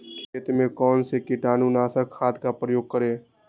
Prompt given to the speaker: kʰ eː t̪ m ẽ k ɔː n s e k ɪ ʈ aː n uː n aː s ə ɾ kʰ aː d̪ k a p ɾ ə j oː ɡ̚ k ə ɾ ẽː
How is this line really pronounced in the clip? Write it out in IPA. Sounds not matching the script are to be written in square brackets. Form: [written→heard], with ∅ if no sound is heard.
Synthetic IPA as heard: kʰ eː t̪ m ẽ k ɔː n s e k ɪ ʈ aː n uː n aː s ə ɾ kʰ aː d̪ k a p ɾ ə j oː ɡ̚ k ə ɾ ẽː